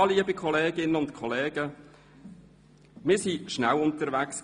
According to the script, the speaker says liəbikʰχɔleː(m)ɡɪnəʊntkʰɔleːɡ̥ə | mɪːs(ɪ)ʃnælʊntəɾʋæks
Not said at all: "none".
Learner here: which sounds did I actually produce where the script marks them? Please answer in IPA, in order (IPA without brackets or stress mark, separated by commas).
none, i